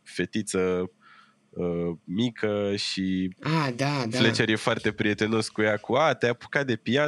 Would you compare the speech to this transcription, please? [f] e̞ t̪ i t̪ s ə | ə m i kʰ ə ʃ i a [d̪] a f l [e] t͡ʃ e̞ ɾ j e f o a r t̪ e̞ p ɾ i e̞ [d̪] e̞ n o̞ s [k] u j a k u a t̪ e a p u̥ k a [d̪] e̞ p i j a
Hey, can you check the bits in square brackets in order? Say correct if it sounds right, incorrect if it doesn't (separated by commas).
correct, correct, correct, incorrect, correct, correct